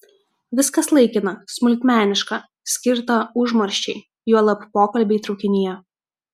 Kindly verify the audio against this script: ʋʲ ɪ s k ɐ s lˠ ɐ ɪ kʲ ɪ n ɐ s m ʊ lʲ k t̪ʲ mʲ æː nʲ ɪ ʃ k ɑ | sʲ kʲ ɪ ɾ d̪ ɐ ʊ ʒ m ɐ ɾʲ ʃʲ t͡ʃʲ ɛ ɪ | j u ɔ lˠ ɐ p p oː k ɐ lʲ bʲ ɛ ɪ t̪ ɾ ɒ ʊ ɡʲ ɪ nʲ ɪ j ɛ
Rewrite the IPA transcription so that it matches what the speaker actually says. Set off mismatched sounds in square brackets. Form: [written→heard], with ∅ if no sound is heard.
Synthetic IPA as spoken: ʋʲ ɪ s k ɐ s lˠ ɐ ɪ kʲ ɪ n ɐ s m ʊ lʲ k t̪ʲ mʲ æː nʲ ɪ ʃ k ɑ | sʲ kʲ ɪ ɾ [d̪→t̪] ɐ ʊ ʒ m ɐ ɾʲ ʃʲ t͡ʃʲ ɛ ɪ | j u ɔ lˠ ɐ p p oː k ɐ lʲ bʲ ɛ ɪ t̪ ɾ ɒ ʊ [ɡʲ→kʲ] ɪ nʲ ɪ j ɛ